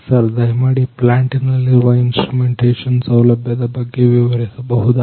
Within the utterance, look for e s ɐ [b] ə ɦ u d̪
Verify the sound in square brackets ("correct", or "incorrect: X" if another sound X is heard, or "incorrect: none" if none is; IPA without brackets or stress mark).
correct